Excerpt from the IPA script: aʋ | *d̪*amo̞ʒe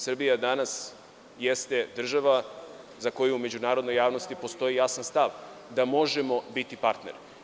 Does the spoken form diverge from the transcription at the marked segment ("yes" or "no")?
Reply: no